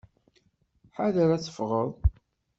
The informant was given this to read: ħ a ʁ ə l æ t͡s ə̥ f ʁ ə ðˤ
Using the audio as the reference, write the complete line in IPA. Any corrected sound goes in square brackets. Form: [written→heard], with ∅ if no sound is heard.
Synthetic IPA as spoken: ħ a [ʁ→ð] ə [l→ɾ] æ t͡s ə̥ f ʁ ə ðˤ